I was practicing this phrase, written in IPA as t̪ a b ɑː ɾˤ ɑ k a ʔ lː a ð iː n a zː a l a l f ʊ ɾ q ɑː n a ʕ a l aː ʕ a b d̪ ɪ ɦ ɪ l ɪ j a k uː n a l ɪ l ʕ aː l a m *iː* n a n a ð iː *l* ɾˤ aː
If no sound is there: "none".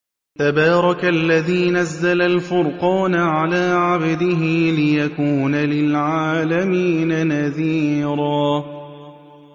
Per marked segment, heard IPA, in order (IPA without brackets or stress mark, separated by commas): iː, none